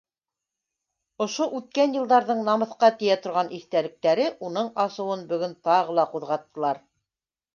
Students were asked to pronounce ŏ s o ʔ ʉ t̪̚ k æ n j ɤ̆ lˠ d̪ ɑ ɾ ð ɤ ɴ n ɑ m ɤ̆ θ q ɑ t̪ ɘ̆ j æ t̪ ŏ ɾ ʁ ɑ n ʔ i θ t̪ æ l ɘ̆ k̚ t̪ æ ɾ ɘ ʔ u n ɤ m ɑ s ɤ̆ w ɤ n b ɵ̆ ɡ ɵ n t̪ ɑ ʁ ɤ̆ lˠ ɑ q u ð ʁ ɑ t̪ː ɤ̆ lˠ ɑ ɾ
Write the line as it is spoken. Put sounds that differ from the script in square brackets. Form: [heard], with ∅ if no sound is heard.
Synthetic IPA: ŏ [ʃ] o ʔ ʉ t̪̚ k æ n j ɤ̆ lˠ d̪ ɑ ɾ ð ɤ ɴ n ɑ m ɤ̆ θ q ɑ t̪ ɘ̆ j æ t̪ ŏ ɾ ʁ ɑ n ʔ i θ t̪ æ l ɘ̆ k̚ t̪ æ ɾ ɘ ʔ u n ɤ [ɴ] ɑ s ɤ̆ w ɤ n b ɵ̆ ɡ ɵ n t̪ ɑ ʁ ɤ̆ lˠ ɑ q u ð ʁ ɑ t̪ː ɤ̆ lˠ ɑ ɾ